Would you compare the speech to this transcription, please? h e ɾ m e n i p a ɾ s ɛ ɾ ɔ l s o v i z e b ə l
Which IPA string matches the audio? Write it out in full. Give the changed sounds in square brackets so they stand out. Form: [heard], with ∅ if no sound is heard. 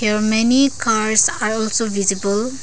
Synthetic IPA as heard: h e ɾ m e n i [k] a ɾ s [a] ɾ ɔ l s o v i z [i] b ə l